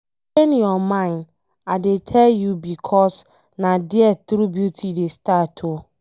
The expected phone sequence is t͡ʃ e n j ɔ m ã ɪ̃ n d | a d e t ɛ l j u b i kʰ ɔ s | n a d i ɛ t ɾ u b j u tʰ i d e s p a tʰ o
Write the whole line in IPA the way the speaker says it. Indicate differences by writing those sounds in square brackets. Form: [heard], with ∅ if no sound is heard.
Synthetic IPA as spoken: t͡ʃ e n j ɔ m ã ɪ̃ n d | a d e [tʰ] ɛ l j u b i kʰ ɔ s | n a d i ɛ t ɾ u b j u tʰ i d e s [t] a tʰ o